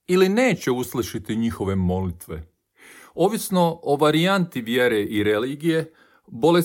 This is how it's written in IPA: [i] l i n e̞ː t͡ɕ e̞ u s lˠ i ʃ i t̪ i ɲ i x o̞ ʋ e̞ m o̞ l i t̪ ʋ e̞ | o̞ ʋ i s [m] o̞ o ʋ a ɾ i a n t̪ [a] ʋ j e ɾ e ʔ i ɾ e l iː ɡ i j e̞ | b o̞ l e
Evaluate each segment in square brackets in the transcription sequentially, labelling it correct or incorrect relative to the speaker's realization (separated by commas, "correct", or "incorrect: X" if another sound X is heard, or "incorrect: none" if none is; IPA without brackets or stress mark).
correct, incorrect: n, incorrect: i